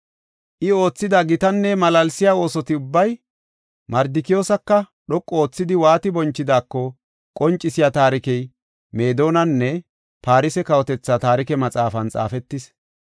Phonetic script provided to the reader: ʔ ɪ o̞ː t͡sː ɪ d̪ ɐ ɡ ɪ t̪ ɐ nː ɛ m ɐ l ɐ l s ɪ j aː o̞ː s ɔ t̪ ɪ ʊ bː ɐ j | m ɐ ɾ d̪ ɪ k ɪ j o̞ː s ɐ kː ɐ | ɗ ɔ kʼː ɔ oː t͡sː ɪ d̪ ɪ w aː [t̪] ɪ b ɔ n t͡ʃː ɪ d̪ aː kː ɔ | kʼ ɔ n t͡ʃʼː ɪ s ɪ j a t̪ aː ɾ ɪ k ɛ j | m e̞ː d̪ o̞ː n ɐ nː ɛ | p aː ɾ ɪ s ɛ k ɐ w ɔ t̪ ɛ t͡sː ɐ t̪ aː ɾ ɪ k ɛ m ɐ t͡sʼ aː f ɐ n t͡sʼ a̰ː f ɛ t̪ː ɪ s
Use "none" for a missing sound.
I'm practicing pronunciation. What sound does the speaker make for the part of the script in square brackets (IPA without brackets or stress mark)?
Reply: t̪